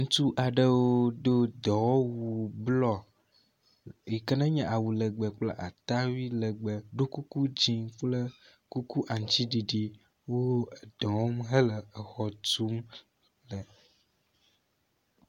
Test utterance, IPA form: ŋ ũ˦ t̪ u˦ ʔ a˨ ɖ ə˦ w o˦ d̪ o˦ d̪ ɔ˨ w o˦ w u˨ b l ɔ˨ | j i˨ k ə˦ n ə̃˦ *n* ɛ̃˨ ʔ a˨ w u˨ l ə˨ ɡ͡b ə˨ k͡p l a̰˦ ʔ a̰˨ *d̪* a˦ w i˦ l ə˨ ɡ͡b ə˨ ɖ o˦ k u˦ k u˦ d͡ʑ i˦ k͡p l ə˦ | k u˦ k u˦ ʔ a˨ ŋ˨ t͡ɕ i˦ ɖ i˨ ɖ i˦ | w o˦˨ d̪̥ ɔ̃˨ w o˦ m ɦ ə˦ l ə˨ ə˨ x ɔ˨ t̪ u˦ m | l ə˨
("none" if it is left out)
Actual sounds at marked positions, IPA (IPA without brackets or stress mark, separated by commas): ɲ, t̪